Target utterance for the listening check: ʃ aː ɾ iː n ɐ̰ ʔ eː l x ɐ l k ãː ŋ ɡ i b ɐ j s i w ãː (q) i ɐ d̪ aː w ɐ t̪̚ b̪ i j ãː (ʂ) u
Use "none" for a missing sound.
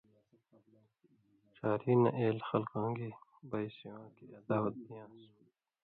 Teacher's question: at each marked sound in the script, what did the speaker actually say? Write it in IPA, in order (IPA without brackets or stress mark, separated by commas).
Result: k, s